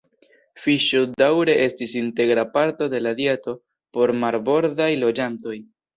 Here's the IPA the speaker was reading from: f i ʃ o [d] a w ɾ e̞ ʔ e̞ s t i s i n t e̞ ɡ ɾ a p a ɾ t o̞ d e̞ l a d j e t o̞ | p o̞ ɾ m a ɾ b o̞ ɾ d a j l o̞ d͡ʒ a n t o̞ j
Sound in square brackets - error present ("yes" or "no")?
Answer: no